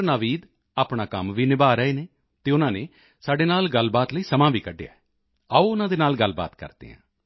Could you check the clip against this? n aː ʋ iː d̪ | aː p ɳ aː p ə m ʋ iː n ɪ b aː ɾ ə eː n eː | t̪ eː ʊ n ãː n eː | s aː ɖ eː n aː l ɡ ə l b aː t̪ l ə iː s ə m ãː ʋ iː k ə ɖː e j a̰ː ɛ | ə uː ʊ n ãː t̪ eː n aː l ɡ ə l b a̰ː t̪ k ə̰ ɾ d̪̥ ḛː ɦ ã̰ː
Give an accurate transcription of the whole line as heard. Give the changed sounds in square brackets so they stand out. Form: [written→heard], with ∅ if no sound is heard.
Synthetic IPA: n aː ʋ iː d̪ | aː p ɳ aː [p→k] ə m ʋ iː n ɪ b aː ɾ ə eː n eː | t̪ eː ʊ n ãː n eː | s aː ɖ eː n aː l ɡ ə l b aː t̪ l ə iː s ə m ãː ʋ iː k ə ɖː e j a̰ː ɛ | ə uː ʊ n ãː [t̪→d̪] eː n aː l ɡ ə l b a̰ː t̪ k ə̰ ɾ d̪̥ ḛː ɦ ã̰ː